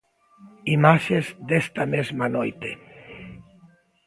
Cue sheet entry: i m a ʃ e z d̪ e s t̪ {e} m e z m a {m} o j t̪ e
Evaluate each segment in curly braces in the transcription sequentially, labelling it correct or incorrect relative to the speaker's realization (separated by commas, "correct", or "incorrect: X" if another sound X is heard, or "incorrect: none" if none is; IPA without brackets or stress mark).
incorrect: a, incorrect: n